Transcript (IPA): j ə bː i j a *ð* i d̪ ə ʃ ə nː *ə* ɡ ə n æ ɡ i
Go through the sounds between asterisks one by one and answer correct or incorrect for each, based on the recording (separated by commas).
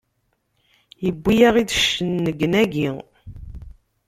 incorrect, correct